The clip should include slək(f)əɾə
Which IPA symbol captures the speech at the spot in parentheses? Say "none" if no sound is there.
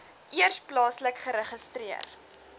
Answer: χ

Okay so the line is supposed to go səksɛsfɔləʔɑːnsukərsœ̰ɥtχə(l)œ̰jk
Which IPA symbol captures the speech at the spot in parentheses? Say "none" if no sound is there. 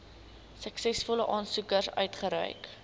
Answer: ɾ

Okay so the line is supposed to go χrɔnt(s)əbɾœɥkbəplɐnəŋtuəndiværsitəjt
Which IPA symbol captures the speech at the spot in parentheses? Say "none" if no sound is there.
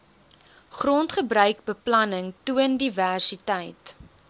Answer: χ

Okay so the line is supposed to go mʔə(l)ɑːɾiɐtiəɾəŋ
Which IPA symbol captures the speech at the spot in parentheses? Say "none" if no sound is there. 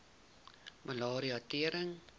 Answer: l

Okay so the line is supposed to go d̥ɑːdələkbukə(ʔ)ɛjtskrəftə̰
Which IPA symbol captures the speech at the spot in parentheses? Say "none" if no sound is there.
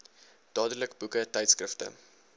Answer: t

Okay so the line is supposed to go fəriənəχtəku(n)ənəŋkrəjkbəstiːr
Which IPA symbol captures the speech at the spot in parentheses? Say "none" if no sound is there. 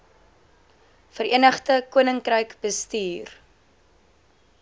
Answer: none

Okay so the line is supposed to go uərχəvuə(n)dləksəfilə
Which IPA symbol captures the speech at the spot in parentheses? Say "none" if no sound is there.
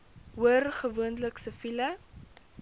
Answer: n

